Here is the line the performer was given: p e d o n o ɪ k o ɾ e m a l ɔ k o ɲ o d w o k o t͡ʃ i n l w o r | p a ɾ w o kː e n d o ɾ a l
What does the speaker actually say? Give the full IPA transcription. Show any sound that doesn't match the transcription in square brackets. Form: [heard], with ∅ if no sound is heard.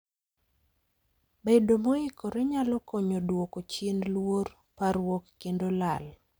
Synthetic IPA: [b] e d o [m] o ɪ k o ɾ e [ɲ] a l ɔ k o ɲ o d w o k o t͡ʃ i n l w o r | p a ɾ w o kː e n d o [l] a l